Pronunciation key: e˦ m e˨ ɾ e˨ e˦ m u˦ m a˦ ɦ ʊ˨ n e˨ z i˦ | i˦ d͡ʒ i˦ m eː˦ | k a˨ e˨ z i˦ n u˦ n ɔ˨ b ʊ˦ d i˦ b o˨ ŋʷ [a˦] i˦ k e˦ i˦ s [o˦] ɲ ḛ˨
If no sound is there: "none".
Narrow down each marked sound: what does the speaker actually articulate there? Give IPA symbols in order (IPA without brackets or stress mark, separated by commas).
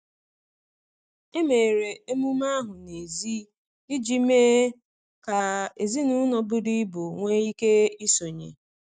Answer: e˦, o˨